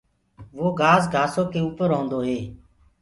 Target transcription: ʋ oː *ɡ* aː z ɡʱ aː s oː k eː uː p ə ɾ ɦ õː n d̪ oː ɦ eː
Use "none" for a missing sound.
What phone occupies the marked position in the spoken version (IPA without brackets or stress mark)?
ɡ